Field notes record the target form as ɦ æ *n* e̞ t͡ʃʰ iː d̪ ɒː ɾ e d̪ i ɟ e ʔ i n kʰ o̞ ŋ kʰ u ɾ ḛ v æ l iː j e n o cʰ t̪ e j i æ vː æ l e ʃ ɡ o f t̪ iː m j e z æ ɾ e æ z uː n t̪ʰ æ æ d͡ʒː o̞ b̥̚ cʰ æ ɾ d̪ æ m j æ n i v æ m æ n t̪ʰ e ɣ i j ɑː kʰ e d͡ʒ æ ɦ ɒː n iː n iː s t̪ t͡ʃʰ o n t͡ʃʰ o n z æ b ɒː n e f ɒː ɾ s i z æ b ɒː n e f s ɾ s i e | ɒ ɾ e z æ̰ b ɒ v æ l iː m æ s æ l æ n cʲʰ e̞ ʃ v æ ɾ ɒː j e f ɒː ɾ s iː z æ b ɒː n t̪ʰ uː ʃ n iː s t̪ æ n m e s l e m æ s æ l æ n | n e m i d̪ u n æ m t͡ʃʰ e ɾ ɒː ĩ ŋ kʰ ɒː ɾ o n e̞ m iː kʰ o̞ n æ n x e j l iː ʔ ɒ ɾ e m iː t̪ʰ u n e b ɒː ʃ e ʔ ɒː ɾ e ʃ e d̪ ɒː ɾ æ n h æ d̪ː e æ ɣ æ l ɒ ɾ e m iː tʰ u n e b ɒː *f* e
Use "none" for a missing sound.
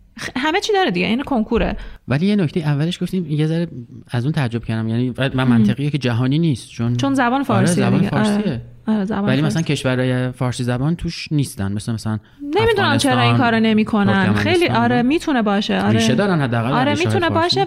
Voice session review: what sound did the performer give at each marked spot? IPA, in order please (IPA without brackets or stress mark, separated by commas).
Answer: m, ʃ